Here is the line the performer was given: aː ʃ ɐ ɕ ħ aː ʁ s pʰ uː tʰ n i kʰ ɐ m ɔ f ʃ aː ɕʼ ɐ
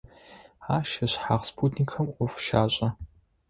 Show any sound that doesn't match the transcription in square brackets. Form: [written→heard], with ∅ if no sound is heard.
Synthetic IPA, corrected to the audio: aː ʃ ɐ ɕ ħ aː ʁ s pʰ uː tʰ n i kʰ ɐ m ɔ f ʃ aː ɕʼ ɐ